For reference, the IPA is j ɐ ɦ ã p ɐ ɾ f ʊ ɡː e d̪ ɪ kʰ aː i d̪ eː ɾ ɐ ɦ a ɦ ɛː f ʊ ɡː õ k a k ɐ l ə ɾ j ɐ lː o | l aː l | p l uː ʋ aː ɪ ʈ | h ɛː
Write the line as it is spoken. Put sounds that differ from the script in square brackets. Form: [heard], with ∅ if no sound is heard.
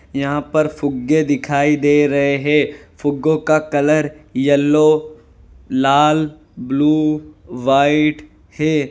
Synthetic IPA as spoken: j ɐ ɦ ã p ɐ ɾ f ʊ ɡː e d̪ ɪ kʰ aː i d̪ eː ɾ ɐ ɦ [e] ɦ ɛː f ʊ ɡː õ k a k ɐ l ə ɾ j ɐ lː o | l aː l | [b] l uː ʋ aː ɪ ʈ | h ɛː